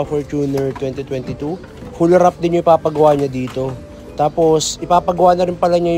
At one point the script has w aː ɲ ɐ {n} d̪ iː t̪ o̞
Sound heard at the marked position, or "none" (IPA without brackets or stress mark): none